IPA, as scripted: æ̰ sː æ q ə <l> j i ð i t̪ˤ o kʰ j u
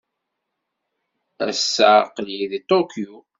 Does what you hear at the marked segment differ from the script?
no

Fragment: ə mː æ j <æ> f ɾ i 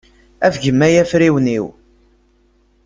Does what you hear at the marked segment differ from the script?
no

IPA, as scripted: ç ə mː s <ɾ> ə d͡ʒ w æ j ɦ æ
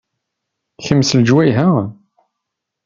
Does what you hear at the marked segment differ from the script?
yes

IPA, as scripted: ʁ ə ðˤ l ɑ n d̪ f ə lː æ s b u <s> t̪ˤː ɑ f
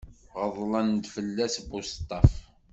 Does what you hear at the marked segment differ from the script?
no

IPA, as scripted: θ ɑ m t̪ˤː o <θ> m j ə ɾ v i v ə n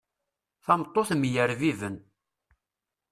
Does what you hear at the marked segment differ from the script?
no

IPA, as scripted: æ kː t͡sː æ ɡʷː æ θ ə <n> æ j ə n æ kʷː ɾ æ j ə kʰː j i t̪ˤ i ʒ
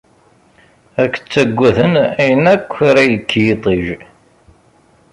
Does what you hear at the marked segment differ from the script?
no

